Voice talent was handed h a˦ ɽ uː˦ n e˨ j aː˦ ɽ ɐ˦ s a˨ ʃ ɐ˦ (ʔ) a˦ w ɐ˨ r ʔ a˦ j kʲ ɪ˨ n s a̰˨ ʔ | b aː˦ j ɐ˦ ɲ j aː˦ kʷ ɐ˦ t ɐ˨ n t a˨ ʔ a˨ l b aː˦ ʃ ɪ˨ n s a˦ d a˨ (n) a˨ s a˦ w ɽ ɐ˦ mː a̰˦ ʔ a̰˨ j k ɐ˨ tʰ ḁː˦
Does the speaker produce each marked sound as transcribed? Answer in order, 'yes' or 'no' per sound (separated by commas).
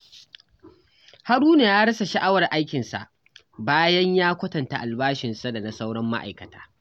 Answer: yes, yes